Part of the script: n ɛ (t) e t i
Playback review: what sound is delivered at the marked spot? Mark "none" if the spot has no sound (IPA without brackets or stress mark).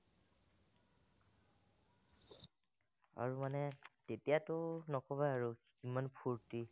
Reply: t